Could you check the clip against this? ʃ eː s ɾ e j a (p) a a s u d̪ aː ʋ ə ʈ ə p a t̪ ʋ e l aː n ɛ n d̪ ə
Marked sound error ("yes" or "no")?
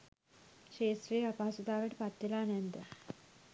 no